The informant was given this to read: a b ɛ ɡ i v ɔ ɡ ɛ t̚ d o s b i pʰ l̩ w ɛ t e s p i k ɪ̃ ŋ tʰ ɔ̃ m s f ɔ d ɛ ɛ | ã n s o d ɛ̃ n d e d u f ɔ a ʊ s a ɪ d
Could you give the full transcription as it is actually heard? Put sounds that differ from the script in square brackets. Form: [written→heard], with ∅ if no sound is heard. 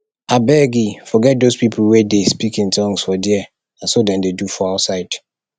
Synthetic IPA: a b ɛ ɡ i [v→f] ɔ ɡ ɛ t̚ d o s [b→p] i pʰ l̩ w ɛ [t→d] e s p i k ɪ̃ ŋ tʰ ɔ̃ [m→ŋ] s f ɔ d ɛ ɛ | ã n s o d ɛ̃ n d e d u f ɔ a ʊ s a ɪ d